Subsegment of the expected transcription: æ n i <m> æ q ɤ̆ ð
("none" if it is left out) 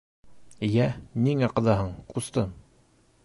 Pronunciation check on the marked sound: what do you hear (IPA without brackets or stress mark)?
ŋ